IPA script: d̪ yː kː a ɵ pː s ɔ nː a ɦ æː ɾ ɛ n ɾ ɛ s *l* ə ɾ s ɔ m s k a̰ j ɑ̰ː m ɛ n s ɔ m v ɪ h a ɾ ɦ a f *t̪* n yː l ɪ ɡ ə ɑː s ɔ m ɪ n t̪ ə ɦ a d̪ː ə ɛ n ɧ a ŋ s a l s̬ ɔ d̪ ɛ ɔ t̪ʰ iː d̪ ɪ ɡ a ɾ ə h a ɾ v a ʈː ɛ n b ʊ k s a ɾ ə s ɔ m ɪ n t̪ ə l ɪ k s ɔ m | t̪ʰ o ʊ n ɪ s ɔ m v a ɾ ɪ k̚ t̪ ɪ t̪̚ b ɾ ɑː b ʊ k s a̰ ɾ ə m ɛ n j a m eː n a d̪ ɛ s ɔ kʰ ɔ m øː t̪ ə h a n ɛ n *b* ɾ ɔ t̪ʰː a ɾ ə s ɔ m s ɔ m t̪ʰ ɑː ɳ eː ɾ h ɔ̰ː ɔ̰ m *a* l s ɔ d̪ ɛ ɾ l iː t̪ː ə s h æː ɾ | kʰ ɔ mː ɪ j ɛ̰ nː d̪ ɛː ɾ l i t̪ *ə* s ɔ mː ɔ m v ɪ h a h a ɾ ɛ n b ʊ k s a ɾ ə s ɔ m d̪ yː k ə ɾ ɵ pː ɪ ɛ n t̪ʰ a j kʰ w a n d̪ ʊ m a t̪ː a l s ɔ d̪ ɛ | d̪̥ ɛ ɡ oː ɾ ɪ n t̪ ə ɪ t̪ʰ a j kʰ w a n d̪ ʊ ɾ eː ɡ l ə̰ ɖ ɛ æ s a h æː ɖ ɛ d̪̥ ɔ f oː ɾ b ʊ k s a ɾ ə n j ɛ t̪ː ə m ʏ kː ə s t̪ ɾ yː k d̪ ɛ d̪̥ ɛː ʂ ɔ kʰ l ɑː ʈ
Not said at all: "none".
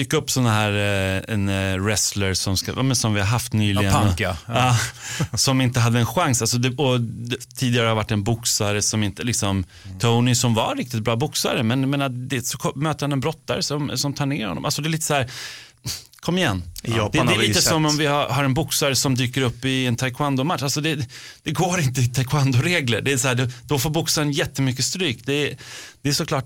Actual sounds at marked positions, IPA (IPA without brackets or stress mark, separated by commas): l, t̪, b, a, ə